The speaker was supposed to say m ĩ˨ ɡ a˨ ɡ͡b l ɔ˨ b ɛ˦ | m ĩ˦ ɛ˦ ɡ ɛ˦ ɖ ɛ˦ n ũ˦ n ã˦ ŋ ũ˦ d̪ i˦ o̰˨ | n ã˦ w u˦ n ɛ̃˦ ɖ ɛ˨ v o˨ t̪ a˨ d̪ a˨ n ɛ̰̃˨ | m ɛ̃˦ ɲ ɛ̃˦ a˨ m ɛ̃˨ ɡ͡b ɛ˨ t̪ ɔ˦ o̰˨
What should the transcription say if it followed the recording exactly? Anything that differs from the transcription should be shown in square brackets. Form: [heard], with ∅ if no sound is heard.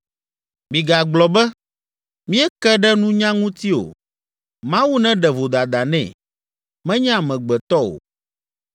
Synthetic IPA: m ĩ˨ ɡ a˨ ɡ͡b l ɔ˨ b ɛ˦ | m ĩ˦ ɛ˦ [k] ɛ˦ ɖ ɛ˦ n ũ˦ [ɲ] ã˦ ŋ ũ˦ [t̪] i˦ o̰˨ | [m] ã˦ w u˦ n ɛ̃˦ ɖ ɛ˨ v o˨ [d̪] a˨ d̪ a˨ n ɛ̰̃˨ | m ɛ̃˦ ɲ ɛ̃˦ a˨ m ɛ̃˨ ɡ͡b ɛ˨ t̪ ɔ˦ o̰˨